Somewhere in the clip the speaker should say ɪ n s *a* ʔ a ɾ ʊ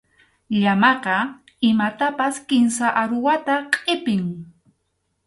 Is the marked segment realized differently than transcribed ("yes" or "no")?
no